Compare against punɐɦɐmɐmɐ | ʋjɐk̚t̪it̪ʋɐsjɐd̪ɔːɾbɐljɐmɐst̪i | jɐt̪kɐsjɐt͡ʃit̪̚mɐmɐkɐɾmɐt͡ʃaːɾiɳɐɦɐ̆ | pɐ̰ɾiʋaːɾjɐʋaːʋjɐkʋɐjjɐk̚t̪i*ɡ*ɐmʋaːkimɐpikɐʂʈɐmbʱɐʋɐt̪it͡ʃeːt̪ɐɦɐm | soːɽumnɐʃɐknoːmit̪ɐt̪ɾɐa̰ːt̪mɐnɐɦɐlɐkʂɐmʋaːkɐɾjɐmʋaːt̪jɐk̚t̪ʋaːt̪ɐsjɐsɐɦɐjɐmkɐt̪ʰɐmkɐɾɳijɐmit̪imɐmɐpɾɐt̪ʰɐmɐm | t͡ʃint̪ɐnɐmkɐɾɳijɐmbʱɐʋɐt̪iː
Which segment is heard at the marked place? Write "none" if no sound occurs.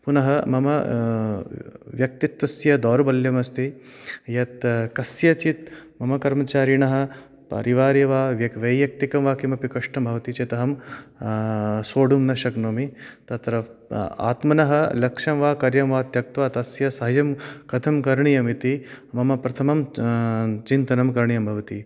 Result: k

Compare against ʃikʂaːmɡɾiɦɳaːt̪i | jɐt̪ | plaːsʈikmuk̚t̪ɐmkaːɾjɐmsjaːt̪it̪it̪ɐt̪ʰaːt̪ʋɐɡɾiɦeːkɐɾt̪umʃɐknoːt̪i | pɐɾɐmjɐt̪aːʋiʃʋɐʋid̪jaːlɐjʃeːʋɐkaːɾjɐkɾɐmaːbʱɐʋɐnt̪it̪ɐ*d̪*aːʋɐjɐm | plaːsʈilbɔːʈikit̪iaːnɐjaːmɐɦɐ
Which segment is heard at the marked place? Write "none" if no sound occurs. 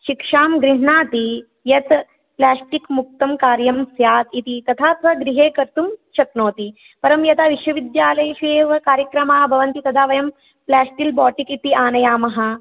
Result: d̪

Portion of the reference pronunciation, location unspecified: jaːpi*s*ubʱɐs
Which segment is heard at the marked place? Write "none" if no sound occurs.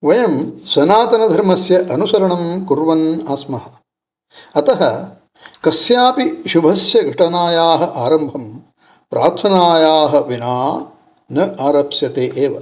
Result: ʃ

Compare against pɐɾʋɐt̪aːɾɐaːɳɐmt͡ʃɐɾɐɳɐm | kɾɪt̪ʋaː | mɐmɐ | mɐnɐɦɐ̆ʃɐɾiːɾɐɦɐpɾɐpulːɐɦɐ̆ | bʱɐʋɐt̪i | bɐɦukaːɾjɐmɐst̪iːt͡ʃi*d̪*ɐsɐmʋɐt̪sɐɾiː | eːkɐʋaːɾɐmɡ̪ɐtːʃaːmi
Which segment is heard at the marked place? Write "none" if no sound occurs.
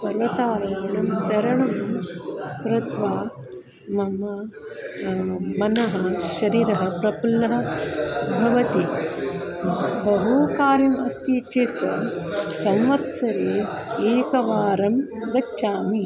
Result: t̪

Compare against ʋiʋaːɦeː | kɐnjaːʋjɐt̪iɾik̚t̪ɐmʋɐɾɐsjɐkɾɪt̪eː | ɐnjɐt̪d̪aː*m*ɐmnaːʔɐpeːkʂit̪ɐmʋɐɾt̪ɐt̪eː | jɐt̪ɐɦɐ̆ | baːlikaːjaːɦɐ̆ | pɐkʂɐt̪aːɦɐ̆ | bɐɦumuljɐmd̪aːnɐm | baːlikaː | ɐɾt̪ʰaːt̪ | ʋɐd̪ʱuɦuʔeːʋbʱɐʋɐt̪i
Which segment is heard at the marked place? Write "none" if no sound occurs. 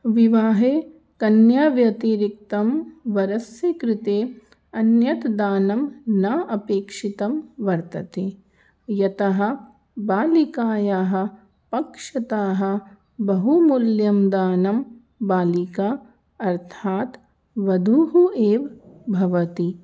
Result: n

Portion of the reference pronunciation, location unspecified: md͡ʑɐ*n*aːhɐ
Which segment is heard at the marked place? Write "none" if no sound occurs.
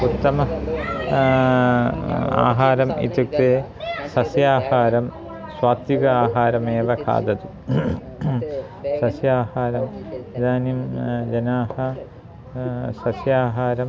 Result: n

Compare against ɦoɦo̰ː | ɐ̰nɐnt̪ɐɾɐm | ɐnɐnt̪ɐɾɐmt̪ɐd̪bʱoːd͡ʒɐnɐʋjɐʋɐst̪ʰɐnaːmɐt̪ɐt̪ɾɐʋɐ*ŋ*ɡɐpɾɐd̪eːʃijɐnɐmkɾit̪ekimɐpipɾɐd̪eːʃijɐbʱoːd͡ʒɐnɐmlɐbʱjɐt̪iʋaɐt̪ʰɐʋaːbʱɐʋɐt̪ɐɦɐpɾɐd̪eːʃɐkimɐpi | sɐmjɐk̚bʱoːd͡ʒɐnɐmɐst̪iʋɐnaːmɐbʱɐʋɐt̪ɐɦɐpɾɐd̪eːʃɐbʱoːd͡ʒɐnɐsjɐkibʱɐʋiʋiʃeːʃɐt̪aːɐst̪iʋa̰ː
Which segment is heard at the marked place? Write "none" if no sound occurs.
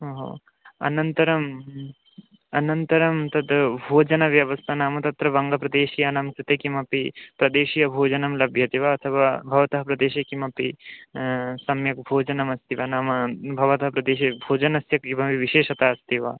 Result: ŋ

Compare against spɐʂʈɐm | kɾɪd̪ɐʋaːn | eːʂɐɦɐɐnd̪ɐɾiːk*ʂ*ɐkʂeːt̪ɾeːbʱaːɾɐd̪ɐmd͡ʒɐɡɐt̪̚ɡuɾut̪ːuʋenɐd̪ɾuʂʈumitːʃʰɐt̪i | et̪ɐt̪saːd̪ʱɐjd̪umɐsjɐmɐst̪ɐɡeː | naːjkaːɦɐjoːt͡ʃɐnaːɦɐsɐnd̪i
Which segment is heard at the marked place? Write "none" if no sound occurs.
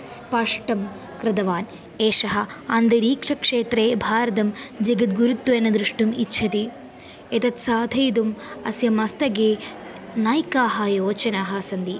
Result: ʂ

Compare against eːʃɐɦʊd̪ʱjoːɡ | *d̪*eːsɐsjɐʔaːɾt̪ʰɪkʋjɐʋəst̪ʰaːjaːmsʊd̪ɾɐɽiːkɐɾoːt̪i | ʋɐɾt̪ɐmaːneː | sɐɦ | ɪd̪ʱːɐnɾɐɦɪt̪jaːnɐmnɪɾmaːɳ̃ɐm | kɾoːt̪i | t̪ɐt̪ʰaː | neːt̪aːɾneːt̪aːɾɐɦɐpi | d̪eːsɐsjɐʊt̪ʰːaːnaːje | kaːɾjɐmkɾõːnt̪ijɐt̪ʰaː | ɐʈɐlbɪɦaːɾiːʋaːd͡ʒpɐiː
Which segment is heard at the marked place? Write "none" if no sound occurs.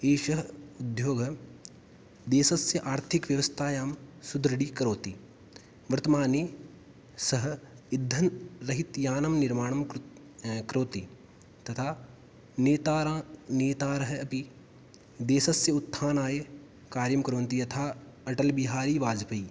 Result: d̪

